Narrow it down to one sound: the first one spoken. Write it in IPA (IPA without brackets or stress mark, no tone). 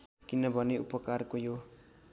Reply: k